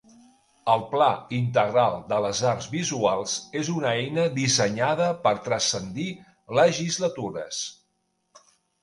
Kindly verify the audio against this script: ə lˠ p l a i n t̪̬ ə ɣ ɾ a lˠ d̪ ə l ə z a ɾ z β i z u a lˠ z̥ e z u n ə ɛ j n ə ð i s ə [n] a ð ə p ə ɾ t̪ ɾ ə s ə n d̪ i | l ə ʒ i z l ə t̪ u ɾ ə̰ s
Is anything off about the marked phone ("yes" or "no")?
yes